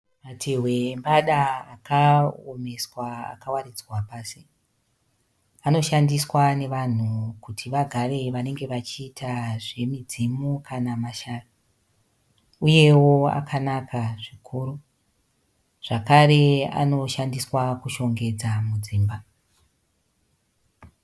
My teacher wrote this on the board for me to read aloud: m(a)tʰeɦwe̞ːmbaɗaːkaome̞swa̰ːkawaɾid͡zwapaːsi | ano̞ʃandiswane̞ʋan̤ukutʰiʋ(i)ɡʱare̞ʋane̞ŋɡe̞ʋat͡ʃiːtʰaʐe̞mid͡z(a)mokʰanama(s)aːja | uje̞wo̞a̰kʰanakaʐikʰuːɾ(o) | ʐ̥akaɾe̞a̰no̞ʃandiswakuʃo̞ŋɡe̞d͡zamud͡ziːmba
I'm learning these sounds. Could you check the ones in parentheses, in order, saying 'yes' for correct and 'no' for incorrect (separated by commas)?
yes, no, no, no, no